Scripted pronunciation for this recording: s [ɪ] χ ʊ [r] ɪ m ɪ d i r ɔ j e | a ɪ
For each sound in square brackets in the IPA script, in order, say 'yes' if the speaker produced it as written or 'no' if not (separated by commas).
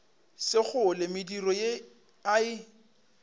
yes, no